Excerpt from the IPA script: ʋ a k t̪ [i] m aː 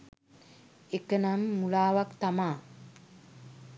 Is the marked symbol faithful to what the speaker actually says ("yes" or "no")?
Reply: no